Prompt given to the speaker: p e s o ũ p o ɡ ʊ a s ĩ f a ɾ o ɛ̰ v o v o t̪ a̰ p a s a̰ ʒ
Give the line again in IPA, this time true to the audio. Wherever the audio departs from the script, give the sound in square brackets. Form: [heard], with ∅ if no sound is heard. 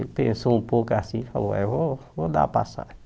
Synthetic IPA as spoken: p [ẽ] s o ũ p o [k] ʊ a s ĩ f a [l] o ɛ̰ v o v o [d̪] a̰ p a s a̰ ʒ